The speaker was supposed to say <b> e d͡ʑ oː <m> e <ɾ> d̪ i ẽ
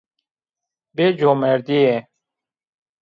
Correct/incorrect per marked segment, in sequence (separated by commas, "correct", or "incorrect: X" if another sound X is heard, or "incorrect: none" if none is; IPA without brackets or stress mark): correct, correct, correct